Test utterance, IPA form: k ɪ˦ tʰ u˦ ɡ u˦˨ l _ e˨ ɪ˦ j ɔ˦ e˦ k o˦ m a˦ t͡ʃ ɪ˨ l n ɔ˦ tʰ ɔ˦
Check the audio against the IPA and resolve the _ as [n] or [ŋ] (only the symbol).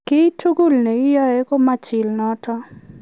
n